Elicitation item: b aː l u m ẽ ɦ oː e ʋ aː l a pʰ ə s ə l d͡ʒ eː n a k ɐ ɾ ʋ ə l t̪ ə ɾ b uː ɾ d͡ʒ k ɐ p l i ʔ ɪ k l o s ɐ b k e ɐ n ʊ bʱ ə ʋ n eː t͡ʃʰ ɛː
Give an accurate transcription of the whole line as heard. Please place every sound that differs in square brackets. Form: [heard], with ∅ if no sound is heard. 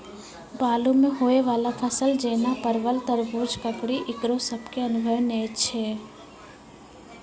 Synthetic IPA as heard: b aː l u m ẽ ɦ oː e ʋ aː l a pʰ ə s ə l d͡ʒ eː n a [p] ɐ ɾ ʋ ə l t̪ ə ɾ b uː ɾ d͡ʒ k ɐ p [ɽ] i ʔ ɪ k [ɾ] o s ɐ b k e ɐ n ʊ bʱ ə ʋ n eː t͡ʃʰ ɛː